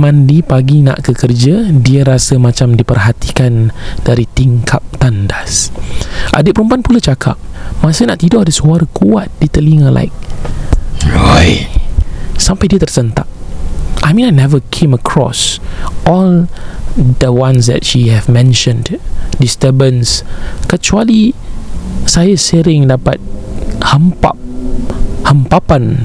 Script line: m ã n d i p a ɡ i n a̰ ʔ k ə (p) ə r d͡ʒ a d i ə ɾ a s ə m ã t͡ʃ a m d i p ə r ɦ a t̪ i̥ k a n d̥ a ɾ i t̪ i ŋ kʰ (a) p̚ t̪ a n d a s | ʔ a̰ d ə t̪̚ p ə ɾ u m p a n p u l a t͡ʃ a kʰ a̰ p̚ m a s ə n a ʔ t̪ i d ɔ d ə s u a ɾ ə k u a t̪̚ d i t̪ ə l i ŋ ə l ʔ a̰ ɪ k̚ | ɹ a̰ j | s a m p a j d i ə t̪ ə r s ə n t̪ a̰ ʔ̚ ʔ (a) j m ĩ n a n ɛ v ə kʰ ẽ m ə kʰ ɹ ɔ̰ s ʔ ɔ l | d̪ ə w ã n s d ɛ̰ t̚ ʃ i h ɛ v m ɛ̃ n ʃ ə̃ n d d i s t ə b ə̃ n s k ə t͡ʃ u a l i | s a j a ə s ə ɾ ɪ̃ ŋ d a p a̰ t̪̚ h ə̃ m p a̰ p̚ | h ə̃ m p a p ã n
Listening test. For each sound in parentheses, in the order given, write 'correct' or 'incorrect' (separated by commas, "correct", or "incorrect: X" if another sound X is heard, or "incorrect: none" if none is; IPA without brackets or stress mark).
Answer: incorrect: k, correct, correct